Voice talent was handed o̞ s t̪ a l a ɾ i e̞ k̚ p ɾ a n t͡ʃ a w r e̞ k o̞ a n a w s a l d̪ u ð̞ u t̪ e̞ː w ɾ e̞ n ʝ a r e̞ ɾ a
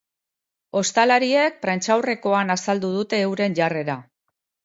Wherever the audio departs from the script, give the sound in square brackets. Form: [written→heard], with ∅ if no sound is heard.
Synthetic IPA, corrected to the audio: o̞ s t̪ a l a ɾ i e̞ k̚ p ɾ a n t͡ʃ a w r e̞ k o̞ a n a [w→∅] s a l d̪ u ð̞ u t̪ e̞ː w ɾ e̞ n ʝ a r e̞ ɾ a